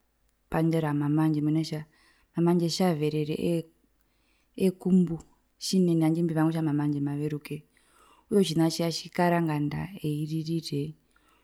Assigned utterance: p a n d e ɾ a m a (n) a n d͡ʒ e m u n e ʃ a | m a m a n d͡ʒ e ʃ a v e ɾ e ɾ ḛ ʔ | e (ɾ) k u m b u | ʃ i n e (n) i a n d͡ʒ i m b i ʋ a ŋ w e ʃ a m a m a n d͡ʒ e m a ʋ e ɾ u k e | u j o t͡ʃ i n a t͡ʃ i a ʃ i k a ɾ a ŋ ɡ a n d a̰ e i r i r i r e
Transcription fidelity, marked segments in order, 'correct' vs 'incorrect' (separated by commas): incorrect, incorrect, correct